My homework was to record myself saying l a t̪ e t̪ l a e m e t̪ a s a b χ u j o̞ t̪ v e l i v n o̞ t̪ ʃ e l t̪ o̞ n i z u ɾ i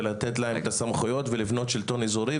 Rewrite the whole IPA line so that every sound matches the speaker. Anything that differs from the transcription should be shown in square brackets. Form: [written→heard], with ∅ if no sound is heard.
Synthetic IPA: l a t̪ e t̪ l a e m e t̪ a s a [b→m] χ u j o̞ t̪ v e l i v n o̞ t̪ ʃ [e→i] l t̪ o̞ n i z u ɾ i

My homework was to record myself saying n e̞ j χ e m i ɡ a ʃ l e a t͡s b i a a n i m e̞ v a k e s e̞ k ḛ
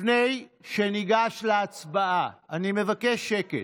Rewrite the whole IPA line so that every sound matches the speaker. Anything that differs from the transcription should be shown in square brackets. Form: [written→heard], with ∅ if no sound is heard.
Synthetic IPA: n e̞ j [χ→ʃ] e [m→n] i ɡ a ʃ l e a t͡s b [i→a] a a n i m e̞ v a k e [s→ʃ] e̞ k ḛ

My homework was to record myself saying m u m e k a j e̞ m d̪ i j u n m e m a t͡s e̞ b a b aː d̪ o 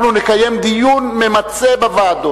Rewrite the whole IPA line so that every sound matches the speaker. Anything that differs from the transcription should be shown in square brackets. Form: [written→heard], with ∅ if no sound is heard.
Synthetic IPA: [m→n] u [m→n] e k a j e̞ m d̪ i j u n m e m a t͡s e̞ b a [b→v] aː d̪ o

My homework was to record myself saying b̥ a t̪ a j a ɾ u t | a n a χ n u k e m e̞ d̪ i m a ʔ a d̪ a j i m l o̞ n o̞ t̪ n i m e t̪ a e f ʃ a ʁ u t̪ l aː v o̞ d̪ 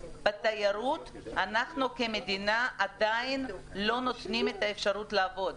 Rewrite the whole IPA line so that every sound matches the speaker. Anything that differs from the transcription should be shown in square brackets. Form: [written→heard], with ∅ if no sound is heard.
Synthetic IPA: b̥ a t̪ a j a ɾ u t | a n a χ n u k e m e̞ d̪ i [m→n] a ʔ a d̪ a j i [m→n] l o̞ n o̞ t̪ n i m e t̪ a e f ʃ a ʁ u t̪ l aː v o̞ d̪

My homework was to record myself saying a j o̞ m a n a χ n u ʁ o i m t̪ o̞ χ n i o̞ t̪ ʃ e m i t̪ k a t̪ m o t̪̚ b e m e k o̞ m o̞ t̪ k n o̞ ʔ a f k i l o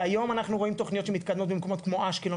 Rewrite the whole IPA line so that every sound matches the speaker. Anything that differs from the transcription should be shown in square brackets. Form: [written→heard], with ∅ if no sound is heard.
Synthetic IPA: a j o̞ m a n a χ n u ʁ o i m t̪ o̞ χ n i o̞ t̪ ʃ e m i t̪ k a [t̪→d̪] m o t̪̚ b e m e k o̞ m o̞ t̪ k [n→m] o̞ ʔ a [f→ʃ] k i l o

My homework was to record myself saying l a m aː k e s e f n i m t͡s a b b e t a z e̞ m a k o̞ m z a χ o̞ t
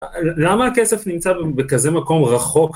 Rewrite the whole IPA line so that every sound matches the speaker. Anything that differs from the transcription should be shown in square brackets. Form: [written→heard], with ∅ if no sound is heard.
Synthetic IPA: l a m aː k e s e f n i m t͡s a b b e [t→k] a z e̞ m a k o̞ m [z→ʁ] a χ o̞ [t→k]

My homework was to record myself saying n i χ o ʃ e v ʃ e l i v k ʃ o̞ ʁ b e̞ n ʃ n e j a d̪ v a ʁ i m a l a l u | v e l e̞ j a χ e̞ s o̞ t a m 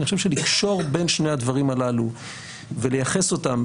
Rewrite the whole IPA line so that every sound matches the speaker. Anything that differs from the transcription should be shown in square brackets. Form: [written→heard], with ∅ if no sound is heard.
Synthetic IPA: n i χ o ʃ e v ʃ e l i [v→∅] k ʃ o̞ ʁ b e̞ n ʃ n e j a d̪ v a ʁ i m a l a l u | v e l e̞ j a χ e̞ s o̞ t a m

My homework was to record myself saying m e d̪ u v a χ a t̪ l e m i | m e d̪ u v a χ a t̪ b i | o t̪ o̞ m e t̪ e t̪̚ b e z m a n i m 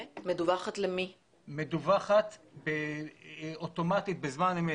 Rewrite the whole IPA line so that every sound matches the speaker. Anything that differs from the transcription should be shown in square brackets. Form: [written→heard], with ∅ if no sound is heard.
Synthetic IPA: m e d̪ u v a χ a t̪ l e m i | m e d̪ u v a χ a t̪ b [i→e] | o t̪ o̞ m [e→a] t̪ [e→i] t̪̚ b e z m a n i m

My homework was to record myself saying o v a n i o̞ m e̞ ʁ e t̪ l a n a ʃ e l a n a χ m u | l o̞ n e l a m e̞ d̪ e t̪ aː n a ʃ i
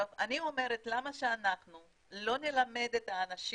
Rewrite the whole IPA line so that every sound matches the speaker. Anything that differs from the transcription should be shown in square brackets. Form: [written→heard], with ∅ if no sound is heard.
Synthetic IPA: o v a n i o̞ m e̞ ʁ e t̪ l a [n→m] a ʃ e [l→∅] a n a χ [m→n] u | l o̞ n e l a m e̞ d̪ e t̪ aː n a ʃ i

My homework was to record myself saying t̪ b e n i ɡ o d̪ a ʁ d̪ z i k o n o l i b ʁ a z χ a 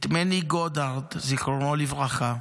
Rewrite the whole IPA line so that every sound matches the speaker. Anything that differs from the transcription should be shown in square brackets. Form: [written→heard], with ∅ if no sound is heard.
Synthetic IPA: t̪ [b→m] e n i ɡ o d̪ a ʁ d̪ z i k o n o l i [b→v] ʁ a [z→∅] χ a

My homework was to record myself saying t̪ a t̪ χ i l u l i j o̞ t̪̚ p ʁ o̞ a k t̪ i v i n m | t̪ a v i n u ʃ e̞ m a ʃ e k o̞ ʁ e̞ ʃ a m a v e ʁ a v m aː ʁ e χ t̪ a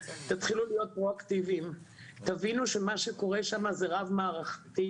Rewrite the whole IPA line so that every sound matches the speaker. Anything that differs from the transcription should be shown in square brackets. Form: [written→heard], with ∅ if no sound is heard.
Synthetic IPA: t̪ a t̪ χ i l u l i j o̞ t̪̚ p ʁ o̞ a k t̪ i v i [n→∅] m | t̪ a v i n u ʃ e̞ m a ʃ e k o̞ ʁ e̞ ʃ a m a [v→z] e ʁ a v m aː ʁ [e→a] χ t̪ [a→i]

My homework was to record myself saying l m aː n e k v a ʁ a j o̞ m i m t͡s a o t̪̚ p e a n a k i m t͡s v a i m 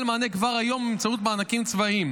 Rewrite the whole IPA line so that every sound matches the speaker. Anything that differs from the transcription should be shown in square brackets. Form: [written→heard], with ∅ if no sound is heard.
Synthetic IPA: l m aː n e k v a ʁ a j o̞ m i m t͡s a [o→u] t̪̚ [p→b] e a n a k i m t͡s v a i m

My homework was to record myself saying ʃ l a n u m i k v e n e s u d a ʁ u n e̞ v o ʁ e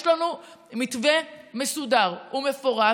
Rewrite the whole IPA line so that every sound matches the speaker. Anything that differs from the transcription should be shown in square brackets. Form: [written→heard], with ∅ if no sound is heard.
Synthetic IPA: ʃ l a n u m i [k→t] v e [n→m] e s u d a ʁ u [n→m] e̞ [v→f] o ʁ [e→a]

